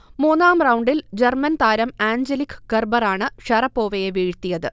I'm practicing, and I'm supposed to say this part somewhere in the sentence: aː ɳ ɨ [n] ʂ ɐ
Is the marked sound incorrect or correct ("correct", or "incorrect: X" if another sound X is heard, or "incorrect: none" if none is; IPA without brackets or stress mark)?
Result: incorrect: none